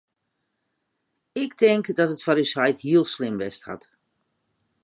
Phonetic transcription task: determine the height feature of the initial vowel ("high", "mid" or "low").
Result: high